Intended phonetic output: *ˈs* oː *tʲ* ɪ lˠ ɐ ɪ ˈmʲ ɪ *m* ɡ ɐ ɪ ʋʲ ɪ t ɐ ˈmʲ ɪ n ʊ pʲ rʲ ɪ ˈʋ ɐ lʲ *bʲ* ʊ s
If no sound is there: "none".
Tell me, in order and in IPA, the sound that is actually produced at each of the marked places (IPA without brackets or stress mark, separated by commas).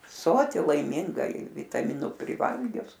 s, tʲ, ŋ, ɡʲ